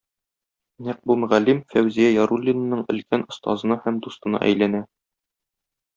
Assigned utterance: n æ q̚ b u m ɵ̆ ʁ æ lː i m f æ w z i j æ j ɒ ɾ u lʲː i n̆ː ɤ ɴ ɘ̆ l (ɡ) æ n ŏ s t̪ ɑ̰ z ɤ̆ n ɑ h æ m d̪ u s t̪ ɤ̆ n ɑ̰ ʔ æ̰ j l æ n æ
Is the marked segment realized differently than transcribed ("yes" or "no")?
yes